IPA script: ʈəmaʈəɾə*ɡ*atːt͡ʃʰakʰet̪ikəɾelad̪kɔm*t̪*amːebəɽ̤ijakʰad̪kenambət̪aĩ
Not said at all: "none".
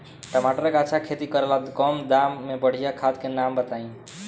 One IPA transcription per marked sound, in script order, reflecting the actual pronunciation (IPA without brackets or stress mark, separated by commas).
k, d̪